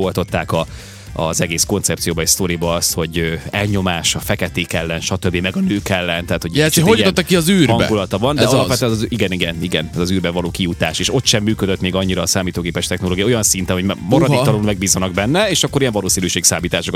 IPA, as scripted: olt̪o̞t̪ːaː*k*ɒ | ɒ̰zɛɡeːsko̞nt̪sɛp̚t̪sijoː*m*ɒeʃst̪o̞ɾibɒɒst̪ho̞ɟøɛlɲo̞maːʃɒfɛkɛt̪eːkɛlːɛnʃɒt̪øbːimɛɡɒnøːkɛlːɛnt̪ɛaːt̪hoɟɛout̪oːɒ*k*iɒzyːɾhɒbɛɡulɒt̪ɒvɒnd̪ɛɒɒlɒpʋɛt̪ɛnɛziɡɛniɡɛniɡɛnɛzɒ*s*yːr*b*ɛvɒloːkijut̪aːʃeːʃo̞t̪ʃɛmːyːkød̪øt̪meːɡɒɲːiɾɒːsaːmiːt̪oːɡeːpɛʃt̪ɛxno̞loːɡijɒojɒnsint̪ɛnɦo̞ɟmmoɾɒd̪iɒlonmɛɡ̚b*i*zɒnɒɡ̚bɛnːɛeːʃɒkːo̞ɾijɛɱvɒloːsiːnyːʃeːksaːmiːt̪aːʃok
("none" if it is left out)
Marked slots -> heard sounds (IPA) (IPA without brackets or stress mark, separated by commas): k, b, k, z, b, iː